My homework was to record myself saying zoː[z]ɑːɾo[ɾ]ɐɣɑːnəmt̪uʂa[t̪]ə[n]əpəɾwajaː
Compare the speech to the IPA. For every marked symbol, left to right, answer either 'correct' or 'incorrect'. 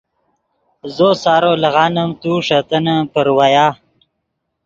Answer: incorrect, incorrect, correct, correct

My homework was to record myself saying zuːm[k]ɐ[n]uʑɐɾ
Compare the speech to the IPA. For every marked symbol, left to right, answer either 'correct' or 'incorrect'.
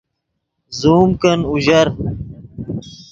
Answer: correct, correct

